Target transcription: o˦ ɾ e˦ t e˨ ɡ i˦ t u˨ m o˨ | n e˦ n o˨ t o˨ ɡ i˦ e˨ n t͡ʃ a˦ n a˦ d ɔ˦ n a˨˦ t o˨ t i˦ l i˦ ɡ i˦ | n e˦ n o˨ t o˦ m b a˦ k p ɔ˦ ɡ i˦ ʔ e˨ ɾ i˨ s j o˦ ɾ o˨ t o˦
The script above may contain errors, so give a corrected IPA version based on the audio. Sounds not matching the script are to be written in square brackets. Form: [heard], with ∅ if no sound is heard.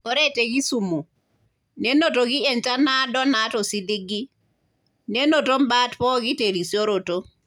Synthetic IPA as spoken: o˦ ɾ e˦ t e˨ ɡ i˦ [s] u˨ m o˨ | n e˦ n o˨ t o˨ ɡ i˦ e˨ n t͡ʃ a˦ n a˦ d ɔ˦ n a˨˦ t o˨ [s] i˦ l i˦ ɡ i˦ | n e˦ n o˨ t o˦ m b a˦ [t] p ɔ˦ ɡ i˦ [t] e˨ ɾ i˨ s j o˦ ɾ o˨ t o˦